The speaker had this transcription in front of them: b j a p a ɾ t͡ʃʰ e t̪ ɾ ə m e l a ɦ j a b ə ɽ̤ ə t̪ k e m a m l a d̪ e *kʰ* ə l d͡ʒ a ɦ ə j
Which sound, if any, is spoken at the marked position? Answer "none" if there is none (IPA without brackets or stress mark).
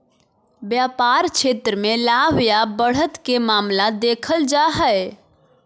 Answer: kʰ